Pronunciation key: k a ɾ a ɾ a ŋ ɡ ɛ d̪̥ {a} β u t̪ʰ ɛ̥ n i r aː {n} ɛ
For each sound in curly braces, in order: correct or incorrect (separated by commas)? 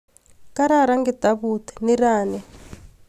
correct, correct